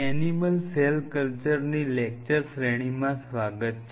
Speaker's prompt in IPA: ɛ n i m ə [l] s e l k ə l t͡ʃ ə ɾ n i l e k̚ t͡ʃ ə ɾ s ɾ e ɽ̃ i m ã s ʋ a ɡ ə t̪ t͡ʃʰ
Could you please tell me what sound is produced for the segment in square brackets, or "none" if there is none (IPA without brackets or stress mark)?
l